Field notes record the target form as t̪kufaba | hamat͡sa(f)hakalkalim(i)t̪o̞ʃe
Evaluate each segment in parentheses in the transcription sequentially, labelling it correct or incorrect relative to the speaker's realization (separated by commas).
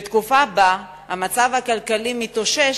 incorrect, correct